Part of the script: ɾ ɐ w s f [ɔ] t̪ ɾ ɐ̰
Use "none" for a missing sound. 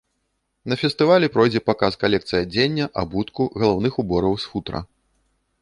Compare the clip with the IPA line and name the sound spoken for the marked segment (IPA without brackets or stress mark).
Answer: u